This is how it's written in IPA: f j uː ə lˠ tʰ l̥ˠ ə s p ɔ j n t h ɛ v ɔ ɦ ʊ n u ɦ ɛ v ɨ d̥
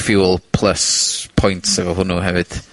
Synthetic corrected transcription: f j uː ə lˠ pʰ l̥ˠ ə s pʰ ɔ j n t s ɛ v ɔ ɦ ʊ n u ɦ ɛ v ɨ d̥